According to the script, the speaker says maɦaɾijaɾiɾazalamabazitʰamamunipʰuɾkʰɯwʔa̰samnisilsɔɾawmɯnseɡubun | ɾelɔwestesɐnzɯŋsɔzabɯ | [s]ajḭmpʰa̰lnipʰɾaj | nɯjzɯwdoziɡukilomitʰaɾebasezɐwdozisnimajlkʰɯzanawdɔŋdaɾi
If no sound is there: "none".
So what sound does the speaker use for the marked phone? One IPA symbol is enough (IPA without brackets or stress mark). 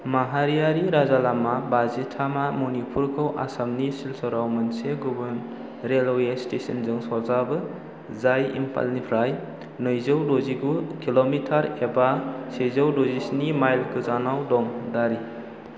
z